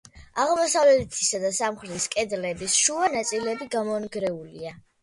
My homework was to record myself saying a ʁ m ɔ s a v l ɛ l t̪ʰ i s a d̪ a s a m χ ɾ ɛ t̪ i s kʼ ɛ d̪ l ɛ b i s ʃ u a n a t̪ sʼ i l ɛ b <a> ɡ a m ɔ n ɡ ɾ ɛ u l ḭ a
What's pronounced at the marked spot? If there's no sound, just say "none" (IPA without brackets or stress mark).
i